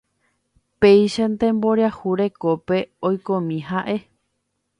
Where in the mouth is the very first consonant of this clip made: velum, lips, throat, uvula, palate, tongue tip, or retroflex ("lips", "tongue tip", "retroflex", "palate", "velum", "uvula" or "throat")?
lips